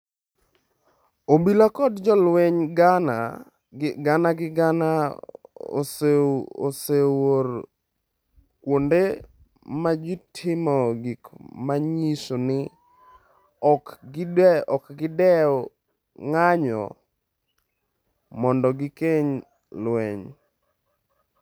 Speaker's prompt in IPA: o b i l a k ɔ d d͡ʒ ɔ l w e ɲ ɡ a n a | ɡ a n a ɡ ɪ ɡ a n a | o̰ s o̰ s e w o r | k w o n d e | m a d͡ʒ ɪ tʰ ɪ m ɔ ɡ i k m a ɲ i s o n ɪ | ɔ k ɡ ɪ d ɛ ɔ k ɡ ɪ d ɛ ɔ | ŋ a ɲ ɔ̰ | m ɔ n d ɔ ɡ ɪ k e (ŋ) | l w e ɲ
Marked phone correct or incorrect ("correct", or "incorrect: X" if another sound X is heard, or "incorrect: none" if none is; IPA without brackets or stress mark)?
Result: incorrect: ɲ